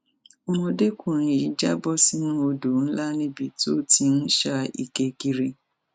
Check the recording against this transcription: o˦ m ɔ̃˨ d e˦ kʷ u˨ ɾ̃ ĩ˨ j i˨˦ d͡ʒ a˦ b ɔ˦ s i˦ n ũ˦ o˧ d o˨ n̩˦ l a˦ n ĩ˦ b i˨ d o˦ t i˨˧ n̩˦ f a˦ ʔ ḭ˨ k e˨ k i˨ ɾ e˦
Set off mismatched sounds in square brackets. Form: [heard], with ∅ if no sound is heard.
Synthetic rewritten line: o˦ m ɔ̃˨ d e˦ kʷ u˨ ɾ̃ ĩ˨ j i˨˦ d͡ʒ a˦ b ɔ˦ s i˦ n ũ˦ o˧ d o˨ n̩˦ l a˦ n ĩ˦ b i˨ [t] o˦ t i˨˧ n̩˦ [ʃ] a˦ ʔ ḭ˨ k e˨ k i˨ ɾ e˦

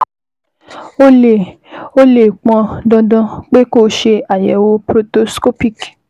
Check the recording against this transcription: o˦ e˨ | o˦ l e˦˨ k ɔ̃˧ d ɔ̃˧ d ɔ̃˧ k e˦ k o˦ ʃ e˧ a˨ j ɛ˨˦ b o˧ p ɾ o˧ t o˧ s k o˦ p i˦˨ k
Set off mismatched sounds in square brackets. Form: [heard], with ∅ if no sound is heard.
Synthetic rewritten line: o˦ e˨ | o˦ l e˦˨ [k͡p] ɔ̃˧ d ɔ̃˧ d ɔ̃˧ [k͡p] e˦ k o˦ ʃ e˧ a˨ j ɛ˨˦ [w] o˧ p ɾ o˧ t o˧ s k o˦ p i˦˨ k

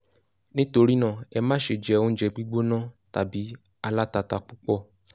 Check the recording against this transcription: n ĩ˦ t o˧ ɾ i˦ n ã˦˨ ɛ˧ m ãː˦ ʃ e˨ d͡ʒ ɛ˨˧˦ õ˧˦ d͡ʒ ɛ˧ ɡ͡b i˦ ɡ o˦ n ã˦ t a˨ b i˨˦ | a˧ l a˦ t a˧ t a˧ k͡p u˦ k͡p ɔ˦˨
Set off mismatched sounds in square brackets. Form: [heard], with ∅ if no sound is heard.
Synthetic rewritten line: n ĩ˦ t o˧ ɾ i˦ n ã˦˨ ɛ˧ m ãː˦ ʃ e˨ d͡ʒ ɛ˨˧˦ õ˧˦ d͡ʒ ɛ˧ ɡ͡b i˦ [ɡ͡b] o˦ n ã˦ t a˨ b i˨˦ | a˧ l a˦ t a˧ t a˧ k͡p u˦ k͡p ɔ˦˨

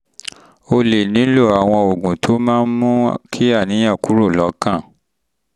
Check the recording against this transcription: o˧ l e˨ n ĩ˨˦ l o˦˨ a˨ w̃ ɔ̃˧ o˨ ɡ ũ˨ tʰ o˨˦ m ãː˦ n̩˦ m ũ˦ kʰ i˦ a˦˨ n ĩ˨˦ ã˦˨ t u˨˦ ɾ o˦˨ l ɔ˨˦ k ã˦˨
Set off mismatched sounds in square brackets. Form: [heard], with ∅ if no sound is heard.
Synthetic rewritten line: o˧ l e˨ n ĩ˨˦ l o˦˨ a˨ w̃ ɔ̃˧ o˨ ɡ ũ˨ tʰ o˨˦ m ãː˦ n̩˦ m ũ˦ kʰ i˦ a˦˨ n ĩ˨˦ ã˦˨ [k] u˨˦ ɾ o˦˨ l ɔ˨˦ k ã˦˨

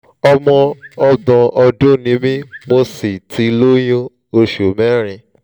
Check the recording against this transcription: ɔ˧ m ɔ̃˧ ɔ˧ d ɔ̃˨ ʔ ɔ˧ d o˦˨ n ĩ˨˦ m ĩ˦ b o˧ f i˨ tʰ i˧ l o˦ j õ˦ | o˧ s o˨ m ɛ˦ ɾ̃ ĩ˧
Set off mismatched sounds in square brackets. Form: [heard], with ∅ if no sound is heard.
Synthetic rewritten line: ɔ˧ m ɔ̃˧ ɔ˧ d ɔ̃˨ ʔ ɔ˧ d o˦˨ n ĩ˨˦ m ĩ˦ [m] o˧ [s] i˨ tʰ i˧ l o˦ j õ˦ | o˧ [ʃ] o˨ m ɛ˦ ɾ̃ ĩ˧

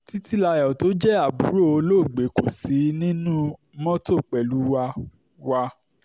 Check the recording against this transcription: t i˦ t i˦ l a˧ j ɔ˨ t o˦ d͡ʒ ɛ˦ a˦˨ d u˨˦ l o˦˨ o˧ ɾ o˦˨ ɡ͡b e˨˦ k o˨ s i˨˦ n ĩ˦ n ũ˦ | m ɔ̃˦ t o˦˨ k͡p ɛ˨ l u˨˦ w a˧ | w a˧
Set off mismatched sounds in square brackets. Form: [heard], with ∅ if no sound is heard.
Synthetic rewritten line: t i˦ t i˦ l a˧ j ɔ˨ t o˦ d͡ʒ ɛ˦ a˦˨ [b] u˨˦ [ɾ] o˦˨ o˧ [l] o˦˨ ɡ͡b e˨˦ k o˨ s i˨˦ n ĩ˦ n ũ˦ | m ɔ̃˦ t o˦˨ k͡p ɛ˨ l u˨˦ w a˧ | w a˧

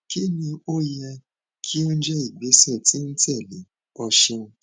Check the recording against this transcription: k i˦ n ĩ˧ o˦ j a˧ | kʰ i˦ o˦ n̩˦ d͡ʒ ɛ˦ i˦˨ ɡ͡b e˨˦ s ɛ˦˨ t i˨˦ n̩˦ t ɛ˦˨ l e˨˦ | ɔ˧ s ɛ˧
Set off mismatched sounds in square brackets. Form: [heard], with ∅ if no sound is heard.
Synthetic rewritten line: k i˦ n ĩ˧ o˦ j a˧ | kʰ i˦ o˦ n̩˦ d͡ʒ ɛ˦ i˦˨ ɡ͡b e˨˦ s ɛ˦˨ t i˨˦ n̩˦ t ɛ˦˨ l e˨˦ | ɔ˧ [ʃ] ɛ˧

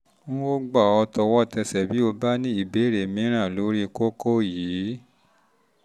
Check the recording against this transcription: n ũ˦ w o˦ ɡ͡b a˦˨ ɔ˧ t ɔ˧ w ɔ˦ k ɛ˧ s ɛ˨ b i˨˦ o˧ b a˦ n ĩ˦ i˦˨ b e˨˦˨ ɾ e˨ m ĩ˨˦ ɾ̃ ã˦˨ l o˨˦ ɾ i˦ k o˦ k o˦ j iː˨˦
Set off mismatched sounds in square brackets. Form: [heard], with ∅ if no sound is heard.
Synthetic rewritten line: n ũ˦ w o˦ ɡ͡b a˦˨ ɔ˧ t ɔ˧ w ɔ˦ [t] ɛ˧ s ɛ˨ b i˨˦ o˧ b a˦ n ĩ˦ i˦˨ b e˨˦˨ ɾ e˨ m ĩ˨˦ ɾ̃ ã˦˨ l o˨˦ ɾ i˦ k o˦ k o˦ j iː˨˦

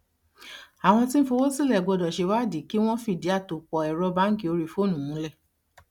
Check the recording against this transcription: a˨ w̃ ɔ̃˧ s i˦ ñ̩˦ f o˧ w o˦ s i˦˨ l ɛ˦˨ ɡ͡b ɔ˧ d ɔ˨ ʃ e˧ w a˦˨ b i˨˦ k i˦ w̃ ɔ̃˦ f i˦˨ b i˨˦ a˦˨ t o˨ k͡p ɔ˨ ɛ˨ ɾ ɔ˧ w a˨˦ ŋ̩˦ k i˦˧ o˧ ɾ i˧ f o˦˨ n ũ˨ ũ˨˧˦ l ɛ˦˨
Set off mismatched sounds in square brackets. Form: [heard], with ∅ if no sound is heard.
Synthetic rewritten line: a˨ w̃ ɔ̃˧ [t] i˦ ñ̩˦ f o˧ w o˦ s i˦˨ l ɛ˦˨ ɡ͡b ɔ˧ d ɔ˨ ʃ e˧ w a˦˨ [d] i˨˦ k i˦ w̃ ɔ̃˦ f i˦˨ [d] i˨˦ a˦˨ t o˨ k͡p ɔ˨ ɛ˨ ɾ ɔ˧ [b] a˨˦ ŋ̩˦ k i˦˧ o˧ ɾ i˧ f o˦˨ n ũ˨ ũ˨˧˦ l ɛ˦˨

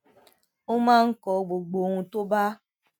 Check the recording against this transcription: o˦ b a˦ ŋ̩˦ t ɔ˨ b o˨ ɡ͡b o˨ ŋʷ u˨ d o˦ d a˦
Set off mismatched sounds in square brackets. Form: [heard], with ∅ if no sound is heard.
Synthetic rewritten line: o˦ [m] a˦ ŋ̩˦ [k] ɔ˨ [ɡ͡b] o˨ ɡ͡b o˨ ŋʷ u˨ [t] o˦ [b] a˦

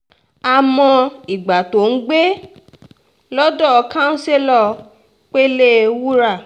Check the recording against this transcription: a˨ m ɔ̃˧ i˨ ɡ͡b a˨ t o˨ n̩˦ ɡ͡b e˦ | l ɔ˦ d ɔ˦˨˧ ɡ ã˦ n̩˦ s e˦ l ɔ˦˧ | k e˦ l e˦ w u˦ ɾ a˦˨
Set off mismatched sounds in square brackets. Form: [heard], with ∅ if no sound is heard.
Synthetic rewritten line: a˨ m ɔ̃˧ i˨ ɡ͡b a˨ t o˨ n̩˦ ɡ͡b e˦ | l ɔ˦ d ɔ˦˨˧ [k] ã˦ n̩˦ s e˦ l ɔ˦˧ | [k͡p] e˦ l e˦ w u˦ ɾ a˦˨

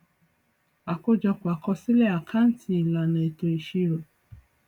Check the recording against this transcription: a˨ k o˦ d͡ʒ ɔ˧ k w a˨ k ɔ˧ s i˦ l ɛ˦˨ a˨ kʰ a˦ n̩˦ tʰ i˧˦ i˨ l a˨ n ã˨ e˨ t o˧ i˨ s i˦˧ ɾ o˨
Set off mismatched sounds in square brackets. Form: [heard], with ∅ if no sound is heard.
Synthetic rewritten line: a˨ k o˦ d͡ʒ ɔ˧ k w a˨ k ɔ˧ s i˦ l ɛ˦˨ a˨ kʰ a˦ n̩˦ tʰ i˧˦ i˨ l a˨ n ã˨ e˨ t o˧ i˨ [ʃ] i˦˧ ɾ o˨

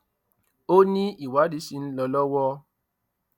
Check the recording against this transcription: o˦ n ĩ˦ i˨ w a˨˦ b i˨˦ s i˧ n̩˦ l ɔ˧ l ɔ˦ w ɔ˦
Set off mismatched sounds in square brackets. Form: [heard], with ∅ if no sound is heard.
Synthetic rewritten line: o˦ n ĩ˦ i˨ w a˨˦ [d] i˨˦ s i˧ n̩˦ l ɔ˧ l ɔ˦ w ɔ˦

